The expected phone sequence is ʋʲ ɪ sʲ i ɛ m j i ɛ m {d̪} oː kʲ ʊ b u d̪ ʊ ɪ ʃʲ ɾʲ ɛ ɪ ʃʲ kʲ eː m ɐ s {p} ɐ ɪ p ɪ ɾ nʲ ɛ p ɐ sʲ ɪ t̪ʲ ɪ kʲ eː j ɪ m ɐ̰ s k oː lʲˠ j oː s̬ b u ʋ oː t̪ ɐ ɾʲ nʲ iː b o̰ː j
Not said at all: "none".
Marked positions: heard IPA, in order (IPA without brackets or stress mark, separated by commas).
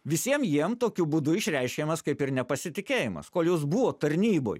t̪, k